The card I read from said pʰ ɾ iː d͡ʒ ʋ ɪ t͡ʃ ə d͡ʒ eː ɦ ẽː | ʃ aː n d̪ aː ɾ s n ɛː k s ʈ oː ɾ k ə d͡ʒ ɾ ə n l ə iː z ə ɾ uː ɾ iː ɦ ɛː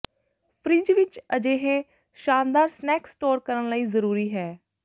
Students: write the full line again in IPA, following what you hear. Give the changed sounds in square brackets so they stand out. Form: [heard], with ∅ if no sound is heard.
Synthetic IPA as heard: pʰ ɾ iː d͡ʒ ʋ ɪ t͡ʃ ə d͡ʒ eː ɦ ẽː | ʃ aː n d̪ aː ɾ s n ɛː k s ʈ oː ɾ k ə [∅] ɾ ə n l ə iː z ə ɾ uː ɾ iː ɦ ɛː